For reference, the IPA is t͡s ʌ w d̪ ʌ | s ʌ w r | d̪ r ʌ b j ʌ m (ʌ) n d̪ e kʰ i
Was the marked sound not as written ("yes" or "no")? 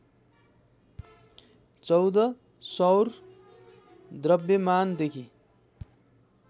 yes